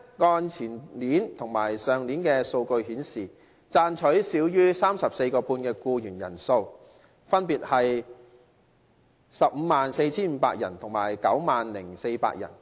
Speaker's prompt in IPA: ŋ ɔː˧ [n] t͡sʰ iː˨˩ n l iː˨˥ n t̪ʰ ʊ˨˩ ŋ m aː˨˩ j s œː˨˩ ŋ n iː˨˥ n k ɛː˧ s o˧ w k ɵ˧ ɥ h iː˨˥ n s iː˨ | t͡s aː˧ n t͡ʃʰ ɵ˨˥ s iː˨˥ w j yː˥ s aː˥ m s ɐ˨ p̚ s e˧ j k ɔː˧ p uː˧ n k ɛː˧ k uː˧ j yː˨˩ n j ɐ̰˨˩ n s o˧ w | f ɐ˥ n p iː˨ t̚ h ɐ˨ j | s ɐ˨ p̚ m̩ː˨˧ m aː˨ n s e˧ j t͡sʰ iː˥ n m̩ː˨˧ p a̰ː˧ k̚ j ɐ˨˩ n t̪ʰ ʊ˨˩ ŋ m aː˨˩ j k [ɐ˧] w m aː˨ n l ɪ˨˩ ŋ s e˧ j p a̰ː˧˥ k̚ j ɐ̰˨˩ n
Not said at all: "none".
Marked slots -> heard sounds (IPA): n, ɐ˨˥

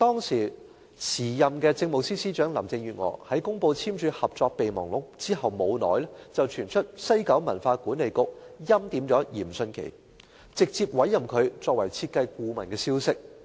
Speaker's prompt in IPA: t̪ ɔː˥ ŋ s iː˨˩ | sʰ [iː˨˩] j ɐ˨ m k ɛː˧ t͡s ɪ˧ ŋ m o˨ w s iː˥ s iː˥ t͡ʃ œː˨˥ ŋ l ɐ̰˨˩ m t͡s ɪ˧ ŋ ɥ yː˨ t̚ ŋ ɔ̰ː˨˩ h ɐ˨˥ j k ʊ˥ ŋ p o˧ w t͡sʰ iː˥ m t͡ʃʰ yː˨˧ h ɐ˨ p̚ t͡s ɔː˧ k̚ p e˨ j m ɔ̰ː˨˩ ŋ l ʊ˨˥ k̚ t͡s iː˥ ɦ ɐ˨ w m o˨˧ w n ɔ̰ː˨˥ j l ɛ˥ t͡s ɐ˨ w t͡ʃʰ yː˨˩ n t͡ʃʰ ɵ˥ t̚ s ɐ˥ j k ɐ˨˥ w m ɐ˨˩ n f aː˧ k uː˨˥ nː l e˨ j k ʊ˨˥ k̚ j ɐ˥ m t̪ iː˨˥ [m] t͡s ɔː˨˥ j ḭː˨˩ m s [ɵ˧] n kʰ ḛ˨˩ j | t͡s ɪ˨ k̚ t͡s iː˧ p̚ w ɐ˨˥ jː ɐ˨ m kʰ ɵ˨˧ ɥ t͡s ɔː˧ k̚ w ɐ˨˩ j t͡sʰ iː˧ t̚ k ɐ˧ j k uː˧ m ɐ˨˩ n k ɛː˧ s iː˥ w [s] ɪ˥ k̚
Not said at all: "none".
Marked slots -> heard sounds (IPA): iː˨˩, m, ɵ˧, s

